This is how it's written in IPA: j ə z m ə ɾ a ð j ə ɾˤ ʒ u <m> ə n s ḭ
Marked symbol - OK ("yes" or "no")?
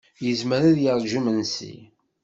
yes